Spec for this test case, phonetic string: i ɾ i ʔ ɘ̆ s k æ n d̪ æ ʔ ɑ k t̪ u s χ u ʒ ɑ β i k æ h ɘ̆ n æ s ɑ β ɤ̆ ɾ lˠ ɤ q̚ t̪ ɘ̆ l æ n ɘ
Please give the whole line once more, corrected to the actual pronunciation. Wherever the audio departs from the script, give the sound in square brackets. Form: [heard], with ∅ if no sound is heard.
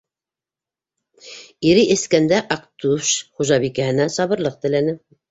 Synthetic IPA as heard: i ɾ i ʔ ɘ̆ s k æ n d̪ æ ʔ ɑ k t̪ u [ʃ] χ u ʒ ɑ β i k æ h ɘ̆ n æ s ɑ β ɤ̆ ɾ lˠ ɤ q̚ t̪ ɘ̆ l æ n ɘ

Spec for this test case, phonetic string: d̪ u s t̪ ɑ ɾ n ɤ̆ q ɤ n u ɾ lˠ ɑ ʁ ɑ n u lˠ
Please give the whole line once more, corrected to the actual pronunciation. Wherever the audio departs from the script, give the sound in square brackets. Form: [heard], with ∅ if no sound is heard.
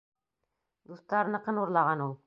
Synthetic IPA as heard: d̪ u s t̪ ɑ ɾ n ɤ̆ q ɤ n u ɾ lˠ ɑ ʁ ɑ n u lˠ

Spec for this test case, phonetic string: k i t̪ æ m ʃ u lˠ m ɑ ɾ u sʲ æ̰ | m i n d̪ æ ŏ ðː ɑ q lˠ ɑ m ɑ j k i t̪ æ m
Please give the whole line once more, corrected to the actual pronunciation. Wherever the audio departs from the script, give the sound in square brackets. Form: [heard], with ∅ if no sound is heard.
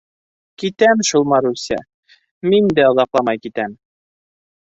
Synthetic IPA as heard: k i t̪ æ m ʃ u lˠ m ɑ ɾ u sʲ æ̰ | m i n d̪ æ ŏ [ð] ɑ q lˠ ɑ m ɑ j k i t̪ æ m

